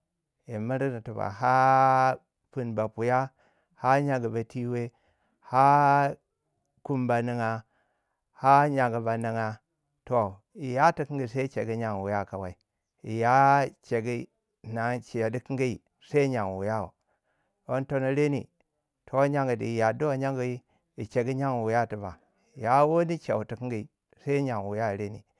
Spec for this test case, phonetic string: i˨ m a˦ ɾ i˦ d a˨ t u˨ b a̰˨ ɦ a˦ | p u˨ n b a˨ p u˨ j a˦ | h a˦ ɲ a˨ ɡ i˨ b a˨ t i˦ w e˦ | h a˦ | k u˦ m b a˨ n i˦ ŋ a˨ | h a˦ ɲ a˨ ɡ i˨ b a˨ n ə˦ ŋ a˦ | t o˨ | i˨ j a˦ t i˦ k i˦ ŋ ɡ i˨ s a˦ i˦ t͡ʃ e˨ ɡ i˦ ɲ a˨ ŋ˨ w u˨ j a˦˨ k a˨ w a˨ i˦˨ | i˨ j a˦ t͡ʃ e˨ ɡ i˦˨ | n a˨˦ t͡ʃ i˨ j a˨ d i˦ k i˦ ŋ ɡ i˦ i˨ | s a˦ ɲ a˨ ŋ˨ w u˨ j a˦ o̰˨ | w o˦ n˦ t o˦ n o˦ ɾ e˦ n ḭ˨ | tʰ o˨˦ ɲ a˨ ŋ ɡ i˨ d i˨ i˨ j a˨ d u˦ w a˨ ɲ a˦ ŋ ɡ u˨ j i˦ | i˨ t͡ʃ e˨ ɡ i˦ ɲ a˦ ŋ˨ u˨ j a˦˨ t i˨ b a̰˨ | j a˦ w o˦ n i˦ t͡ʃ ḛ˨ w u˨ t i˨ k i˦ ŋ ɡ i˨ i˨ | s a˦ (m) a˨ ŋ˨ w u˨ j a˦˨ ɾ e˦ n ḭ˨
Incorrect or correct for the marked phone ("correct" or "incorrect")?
incorrect